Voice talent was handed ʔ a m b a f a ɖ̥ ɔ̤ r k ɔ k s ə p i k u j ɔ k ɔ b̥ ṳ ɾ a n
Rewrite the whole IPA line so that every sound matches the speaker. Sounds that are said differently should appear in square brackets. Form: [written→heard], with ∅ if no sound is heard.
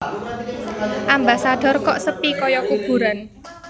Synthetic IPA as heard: ʔ a m b a [f→s] a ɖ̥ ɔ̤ r k ɔ [k→ʔ] s ə p i k [u→ɔ] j ɔ k [ɔ→u] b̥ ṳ ɾ a n